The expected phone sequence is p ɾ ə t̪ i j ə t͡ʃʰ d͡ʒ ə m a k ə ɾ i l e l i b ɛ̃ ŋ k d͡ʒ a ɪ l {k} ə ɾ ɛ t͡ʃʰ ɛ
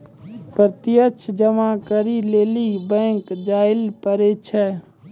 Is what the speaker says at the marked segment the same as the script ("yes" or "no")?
no